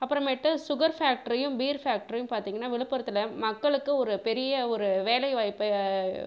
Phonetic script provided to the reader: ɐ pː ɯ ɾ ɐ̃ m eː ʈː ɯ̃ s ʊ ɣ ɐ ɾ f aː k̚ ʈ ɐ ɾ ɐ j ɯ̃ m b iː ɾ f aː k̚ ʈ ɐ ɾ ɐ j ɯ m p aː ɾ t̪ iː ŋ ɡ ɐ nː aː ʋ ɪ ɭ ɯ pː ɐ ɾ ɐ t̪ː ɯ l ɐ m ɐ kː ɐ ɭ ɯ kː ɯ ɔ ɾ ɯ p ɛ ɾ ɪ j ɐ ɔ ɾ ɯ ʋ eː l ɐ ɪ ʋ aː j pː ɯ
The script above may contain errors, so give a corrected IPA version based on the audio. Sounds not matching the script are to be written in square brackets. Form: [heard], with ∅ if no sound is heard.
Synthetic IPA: ɐ pː ɯ ɾ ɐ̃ m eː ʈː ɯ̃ s ʊ ɣ ɐ ɾ f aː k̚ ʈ ɐ ɾ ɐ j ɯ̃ m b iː ɾ f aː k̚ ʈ ɐ ɾ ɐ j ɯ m p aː ɾ t̪ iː ŋ ɡ ɐ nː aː ʋ ɪ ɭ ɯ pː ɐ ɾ ɐ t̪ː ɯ l ɐ m ɐ kː ɐ ɭ ɯ kː ɯ ɔ ɾ ɯ p ɛ ɾ ɪ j ɐ ɔ ɾ ɯ ʋ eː l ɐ ɪ ʋ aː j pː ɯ